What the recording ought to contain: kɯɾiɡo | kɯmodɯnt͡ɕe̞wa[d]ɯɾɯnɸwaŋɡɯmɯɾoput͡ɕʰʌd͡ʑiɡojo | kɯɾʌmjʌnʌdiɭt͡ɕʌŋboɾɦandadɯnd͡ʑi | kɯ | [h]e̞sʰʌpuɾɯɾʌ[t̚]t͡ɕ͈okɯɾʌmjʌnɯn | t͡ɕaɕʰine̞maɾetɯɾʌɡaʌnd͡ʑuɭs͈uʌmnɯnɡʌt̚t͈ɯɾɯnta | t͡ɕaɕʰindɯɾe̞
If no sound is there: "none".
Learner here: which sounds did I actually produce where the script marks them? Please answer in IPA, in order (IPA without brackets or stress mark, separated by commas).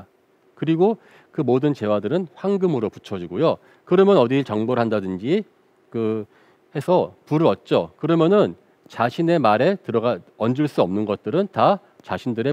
d, h, t̚